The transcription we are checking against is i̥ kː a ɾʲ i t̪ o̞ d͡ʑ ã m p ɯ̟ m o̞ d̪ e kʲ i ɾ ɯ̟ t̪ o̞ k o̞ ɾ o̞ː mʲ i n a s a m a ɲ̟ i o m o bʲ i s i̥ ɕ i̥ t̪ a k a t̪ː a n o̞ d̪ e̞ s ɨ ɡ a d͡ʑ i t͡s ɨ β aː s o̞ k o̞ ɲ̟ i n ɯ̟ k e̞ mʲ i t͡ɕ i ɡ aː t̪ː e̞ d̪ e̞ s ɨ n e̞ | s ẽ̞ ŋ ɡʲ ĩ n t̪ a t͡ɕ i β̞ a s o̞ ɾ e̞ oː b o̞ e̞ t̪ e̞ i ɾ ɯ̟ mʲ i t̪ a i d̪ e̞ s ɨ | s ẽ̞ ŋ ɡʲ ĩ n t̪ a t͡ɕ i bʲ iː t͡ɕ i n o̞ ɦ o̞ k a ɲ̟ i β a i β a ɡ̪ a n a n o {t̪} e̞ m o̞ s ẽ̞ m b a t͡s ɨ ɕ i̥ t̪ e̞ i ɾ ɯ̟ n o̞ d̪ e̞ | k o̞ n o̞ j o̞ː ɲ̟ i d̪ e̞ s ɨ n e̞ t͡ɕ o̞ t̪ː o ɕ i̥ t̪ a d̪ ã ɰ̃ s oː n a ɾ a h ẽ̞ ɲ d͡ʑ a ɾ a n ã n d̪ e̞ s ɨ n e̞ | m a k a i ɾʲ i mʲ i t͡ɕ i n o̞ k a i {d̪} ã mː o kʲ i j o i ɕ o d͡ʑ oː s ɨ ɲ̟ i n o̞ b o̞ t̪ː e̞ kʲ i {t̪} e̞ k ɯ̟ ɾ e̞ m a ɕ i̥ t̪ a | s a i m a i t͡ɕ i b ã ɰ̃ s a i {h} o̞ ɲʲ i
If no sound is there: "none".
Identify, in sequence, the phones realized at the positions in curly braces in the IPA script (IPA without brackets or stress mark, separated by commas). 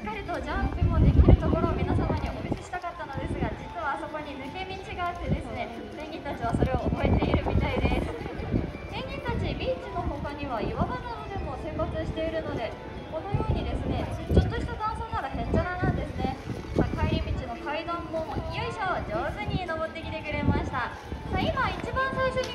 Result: d̪, d̪, t̪, ɕ